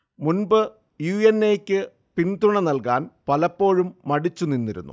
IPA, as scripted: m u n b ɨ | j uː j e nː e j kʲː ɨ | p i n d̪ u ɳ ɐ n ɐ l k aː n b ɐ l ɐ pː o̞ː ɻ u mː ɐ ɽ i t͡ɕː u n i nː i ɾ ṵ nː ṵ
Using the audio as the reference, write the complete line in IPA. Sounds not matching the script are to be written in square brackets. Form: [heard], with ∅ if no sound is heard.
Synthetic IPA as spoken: m u n b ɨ | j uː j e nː e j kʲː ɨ | p i n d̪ u ɳ ɐ n ɐ l k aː n [p] ɐ l ɐ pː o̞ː ɻ u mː ɐ ɽ i t͡ɕː u n i nː i ɾ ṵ nː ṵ

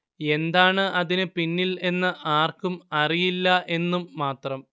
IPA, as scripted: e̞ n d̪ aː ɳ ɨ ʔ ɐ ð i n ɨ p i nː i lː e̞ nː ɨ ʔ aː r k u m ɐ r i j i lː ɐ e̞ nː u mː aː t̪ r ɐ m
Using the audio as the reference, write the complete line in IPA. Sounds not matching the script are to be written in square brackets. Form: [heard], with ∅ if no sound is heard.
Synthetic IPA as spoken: e̞ n d̪ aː ɳ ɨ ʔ ɐ ð i n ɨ p i nː i [l] e̞ nː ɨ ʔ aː r k u m ɐ r i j i lː ɐ e̞ nː u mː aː t̪ r ɐ m

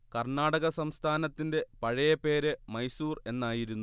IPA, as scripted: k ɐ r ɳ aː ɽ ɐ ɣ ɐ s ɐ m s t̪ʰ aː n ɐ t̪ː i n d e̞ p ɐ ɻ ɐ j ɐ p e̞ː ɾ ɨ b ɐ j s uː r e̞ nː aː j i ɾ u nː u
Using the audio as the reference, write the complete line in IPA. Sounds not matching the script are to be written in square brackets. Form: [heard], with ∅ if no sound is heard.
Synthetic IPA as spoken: k ɐ r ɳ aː ɽ ɐ ɣ ɐ s ɐ m s t̪ʰ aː n ɐ t̪ː i n d e̞ p ɐ ɻ ɐ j ɐ p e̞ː ɾ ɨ [m] ɐ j s uː r e̞ nː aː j i ɾ u nː u

